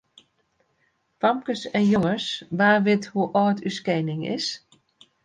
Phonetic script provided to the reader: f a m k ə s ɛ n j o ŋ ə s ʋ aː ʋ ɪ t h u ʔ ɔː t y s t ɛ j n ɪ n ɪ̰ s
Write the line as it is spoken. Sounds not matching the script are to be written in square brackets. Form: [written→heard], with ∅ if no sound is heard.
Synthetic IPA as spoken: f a m k ə s ɛ n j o ŋ ə s ʋ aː ʋ ɪ t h u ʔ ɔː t y s [t→k] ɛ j n ɪ [n→ŋ] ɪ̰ s